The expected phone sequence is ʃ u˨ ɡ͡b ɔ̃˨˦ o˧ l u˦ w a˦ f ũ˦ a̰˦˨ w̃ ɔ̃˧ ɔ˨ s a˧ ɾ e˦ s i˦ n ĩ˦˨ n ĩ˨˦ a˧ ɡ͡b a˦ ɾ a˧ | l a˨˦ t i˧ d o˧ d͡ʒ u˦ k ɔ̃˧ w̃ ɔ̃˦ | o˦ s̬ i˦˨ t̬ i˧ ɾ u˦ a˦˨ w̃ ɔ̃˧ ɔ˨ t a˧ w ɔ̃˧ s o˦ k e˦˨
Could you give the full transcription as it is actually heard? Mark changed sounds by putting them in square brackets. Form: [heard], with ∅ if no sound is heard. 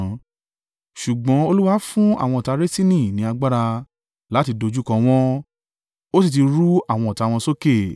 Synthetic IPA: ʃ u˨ ɡ͡b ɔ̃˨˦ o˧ l u˦ w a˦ f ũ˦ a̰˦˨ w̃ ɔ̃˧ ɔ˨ [t] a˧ ɾ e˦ s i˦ n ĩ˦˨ n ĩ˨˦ a˧ ɡ͡b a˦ ɾ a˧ | l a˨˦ t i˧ d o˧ d͡ʒ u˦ k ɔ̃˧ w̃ ɔ̃˦ | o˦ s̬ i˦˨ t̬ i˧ ɾ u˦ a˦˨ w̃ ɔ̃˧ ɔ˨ t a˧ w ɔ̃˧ s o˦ k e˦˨